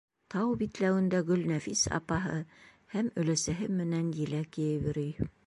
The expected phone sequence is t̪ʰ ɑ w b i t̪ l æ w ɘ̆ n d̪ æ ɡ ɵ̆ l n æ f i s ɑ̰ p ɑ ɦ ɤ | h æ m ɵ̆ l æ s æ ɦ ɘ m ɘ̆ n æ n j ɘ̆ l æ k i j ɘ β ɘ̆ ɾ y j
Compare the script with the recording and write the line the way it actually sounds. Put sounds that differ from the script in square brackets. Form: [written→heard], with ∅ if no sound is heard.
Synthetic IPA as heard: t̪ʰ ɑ w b i t̪ l æ w ɘ̆ n d̪ æ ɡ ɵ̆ l n æ f i s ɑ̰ p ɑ ɦ ɤ | h æ m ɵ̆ l æ s æ ɦ ɘ m ɘ̆ n æ n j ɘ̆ l æ k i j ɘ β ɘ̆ ɾ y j